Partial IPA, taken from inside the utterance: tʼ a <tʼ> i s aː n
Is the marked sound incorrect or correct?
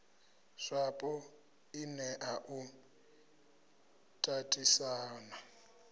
correct